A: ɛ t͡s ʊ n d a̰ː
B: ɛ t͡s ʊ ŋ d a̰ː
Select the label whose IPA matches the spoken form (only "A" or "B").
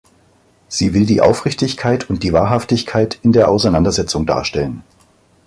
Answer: B